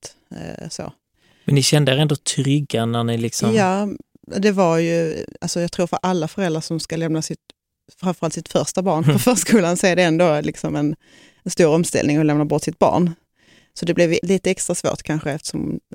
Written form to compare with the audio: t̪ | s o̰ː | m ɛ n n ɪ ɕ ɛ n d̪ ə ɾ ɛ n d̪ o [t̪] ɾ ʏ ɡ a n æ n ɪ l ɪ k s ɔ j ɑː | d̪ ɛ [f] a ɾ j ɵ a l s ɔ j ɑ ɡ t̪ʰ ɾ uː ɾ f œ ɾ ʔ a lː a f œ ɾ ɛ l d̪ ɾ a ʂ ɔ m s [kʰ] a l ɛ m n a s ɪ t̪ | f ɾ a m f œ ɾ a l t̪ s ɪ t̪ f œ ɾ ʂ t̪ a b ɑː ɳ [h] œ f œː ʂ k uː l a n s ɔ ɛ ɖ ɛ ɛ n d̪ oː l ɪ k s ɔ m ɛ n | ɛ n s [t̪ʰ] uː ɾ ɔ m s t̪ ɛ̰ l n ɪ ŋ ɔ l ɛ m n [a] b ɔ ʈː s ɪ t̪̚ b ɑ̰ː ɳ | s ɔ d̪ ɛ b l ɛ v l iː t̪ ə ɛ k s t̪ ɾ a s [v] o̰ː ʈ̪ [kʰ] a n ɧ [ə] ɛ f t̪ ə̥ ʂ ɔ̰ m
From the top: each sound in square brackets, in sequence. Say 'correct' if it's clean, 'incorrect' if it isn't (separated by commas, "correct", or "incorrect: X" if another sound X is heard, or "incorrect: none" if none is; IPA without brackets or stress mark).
incorrect: t̪ʰ, incorrect: v, incorrect: k, incorrect: f, incorrect: t̪, correct, correct, correct, correct